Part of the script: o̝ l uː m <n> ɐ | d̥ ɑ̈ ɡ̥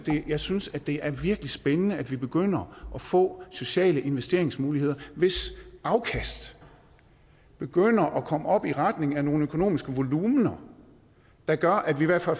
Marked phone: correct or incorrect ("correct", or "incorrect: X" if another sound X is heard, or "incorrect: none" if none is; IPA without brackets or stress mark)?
correct